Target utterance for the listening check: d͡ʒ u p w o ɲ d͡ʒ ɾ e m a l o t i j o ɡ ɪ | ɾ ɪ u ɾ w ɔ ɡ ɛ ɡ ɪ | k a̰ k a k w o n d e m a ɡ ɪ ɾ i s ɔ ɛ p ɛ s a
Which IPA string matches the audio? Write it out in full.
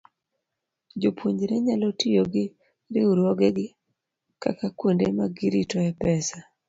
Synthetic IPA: d͡ʒ o p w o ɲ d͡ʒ ɾ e ɲ a l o t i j o ɡ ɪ | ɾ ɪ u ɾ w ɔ ɡ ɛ ɡ ɪ | k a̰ k a k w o n d e m a ɡ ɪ ɾ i t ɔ ɛ p ɛ s a